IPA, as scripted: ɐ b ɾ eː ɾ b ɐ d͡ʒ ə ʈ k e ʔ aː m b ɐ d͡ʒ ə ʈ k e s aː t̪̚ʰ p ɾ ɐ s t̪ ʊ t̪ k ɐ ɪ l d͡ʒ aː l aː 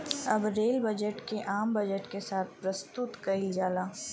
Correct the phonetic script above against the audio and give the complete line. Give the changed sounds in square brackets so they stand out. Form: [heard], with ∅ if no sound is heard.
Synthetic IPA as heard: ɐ b ɾ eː [l] b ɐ d͡ʒ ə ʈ k e ʔ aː m b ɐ d͡ʒ ə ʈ k e s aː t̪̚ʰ p ɾ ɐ s t̪ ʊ t̪ k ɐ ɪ l d͡ʒ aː l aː